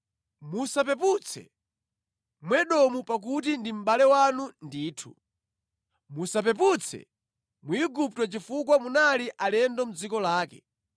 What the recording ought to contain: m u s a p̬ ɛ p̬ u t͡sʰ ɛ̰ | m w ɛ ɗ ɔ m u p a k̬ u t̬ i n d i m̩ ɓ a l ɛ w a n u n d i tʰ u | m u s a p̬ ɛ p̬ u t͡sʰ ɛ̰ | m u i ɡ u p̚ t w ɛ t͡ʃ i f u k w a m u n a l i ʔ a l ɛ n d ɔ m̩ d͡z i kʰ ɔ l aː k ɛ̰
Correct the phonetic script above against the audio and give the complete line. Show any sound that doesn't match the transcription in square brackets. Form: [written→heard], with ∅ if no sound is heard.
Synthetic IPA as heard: m u s a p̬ ɛ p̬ u t͡sʰ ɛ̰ | m w ɛ ɗ ɔ m u p a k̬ u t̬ i n d i m̩ ɓ a l ɛ w a n u n d [i→iː] tʰ u | m u s a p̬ ɛ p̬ u t͡sʰ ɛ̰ | m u i ɡ u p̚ t w ɛ t͡ʃ i f u k w a m u n a l i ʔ a l ɛ n d ɔ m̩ d͡z i [kʰ→k] ɔ l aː k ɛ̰